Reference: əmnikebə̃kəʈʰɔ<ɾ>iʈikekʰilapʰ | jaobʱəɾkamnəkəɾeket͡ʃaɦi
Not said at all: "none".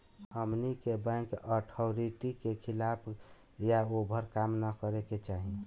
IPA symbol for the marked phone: ɾ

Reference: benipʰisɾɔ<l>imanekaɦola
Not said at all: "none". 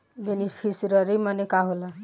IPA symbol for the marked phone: ɾ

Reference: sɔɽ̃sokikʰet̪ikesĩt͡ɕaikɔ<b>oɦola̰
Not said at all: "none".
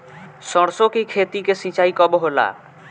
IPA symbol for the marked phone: b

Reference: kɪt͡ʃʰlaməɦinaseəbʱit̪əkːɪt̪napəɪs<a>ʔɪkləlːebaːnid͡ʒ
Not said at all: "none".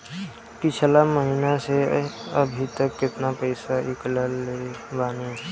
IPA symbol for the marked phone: a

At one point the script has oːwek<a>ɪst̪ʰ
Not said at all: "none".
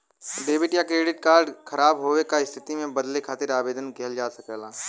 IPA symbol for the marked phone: a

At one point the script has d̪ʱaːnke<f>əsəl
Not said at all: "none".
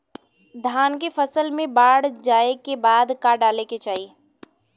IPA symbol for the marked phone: f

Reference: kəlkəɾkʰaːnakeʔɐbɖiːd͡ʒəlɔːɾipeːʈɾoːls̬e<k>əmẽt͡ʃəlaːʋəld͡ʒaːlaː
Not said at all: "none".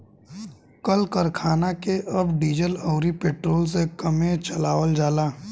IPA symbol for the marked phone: k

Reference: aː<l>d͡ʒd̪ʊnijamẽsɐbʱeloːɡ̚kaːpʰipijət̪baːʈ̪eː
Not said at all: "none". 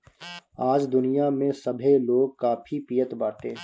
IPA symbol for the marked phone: none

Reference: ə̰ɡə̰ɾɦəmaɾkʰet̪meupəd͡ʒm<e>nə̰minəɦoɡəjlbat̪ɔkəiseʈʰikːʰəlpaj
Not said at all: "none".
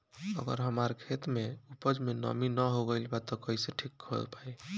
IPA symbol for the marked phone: e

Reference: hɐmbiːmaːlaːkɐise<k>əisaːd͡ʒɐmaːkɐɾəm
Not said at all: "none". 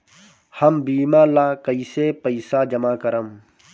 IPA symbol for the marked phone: p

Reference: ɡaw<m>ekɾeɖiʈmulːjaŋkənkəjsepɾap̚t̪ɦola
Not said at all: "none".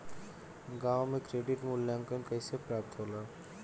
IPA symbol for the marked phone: m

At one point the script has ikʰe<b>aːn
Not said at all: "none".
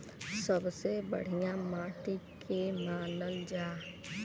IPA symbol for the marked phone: m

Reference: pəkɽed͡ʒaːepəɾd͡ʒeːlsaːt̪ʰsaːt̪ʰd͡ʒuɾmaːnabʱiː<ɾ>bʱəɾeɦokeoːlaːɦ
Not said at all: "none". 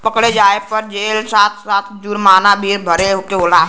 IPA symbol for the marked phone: ɾ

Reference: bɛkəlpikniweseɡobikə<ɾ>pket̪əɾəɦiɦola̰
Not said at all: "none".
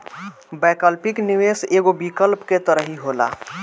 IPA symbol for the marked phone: l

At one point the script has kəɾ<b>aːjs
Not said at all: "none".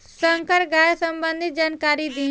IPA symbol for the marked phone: ɡ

